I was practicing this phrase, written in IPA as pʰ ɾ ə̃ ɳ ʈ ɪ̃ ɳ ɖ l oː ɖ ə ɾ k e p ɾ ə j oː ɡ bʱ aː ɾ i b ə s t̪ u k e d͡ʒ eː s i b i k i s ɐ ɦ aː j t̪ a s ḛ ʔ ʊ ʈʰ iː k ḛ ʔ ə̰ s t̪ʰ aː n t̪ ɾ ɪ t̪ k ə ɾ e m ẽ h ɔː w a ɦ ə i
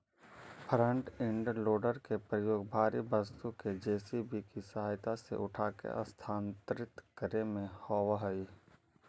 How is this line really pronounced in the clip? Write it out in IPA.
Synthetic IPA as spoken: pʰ ɾ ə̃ ɳ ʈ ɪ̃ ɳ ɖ l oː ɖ ə ɾ k e p ɾ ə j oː ɡ bʱ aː ɾ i b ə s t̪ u k e d͡ʒ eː s i b i k i s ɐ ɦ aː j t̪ a s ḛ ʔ ʊ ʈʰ aː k ḛ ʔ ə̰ s t̪ʰ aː n t̪ ɾ ɪ t̪ k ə ɾ e m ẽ h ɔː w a ɦ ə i